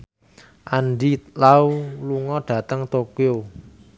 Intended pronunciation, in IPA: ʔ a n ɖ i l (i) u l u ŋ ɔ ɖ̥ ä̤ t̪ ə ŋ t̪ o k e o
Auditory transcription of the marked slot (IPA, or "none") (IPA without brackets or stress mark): a